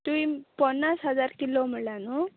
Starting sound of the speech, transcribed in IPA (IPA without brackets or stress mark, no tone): t̪